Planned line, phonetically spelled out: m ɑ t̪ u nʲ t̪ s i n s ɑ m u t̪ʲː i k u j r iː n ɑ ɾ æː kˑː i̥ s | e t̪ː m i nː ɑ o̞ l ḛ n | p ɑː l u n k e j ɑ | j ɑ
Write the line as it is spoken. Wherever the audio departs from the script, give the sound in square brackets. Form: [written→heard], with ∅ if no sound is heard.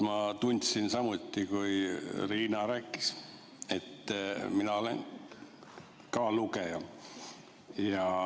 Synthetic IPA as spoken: m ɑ t̪ u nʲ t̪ s i n s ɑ m u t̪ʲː i k u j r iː n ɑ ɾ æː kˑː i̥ s | e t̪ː m i [nː→n] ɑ o̞ l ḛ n | [p→k] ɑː l u [n→∅] k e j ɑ | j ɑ